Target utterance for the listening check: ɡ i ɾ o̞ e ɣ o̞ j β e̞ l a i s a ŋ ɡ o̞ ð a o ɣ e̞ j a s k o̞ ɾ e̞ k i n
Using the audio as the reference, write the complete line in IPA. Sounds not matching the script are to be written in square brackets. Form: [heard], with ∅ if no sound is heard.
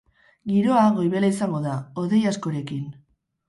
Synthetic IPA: ɡ i ɾ o̞ [a] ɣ o̞ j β e̞ l a i s a ŋ ɡ o̞ ð a o [ð] e̞ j a s k o̞ ɾ e̞ k i n